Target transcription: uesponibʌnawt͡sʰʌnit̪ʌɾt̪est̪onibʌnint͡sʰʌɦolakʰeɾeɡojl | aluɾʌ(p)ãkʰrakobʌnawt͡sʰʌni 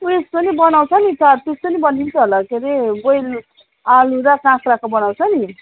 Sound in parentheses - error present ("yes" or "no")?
yes